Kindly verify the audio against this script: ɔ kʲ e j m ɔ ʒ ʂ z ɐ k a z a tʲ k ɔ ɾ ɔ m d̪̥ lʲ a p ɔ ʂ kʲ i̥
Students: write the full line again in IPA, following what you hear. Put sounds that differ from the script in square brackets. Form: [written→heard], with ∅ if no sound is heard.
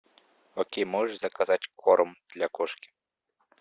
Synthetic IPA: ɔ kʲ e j m ɔ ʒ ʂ z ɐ k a z a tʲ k ɔ ɾ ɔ m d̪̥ lʲ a [p→k] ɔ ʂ kʲ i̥